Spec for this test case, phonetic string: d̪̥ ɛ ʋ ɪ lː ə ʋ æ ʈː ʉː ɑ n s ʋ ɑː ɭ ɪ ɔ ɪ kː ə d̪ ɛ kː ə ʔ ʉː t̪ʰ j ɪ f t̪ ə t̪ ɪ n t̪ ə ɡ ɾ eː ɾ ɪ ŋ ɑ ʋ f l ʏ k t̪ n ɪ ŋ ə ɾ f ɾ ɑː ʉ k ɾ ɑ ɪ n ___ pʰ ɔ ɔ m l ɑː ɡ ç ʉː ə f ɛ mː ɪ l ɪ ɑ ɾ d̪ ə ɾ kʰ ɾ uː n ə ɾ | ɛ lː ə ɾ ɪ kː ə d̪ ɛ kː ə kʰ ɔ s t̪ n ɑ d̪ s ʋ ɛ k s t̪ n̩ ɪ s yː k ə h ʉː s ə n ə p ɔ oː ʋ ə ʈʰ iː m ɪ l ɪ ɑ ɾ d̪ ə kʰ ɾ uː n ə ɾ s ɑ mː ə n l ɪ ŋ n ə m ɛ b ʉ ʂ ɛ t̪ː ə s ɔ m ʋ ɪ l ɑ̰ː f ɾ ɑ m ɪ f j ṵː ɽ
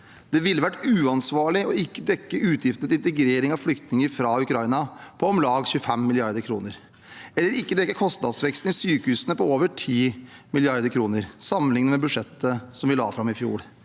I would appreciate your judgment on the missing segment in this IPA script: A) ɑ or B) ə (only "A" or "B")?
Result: A